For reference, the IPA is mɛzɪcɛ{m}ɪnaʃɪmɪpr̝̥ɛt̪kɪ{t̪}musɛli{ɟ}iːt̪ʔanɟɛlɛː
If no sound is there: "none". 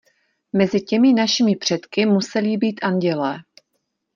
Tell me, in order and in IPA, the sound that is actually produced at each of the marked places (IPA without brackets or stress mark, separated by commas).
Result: m, none, b